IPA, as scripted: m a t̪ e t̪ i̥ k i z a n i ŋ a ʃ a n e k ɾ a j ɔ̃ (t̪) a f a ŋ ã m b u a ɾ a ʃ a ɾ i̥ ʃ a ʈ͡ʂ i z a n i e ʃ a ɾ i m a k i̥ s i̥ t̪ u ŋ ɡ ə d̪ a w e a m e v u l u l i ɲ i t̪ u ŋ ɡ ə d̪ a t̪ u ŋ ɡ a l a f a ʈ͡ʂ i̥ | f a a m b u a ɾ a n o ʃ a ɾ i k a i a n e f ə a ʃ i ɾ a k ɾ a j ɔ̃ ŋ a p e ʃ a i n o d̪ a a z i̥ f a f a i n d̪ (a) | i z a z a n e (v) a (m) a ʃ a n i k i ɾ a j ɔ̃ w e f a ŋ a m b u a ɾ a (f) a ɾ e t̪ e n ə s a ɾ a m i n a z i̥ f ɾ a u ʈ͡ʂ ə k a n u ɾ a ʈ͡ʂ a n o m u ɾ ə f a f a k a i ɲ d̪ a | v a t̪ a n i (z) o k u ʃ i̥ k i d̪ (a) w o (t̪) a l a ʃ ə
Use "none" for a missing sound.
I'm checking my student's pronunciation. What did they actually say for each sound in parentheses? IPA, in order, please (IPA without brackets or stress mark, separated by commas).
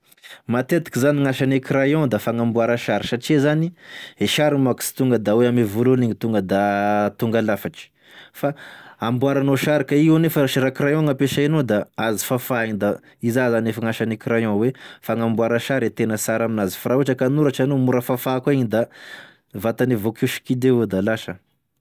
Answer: d̪, a, f, ŋ, ʃ, v, e, d̪